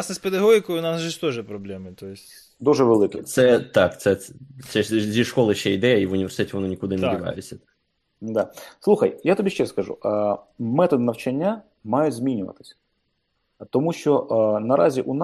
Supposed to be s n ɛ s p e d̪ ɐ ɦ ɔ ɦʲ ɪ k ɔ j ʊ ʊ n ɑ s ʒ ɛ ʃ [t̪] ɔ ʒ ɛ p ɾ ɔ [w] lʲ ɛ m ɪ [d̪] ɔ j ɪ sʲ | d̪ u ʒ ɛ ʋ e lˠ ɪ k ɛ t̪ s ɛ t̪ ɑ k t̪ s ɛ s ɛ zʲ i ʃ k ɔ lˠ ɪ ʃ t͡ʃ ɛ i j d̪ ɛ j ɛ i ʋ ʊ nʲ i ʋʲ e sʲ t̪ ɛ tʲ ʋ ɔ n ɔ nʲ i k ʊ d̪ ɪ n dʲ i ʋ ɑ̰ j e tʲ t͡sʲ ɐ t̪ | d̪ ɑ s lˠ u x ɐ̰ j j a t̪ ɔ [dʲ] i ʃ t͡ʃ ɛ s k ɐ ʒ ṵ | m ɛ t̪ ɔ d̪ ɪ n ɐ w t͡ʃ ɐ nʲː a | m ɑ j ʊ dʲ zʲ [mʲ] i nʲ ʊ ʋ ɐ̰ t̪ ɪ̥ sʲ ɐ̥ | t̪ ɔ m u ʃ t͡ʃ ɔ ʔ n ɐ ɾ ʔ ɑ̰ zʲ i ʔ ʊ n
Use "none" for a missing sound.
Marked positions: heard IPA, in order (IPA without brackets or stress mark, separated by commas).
t̪, b, t̪, bʲ, mʲ